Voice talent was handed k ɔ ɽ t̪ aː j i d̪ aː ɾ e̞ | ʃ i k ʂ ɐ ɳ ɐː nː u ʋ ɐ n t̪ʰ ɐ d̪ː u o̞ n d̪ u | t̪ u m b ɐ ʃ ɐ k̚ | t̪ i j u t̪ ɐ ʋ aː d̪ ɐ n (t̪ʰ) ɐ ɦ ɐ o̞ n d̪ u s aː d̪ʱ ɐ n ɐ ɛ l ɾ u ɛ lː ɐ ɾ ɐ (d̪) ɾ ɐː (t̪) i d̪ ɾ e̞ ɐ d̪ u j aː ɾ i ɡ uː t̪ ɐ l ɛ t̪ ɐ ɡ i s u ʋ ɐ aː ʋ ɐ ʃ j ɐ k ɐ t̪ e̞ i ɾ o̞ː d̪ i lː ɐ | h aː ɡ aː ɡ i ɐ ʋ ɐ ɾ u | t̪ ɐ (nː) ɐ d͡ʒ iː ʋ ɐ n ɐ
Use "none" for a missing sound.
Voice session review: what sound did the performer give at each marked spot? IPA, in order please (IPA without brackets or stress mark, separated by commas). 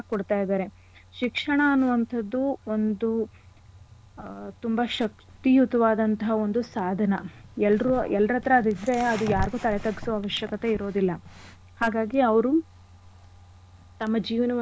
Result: t̪, t̪, d̪, mː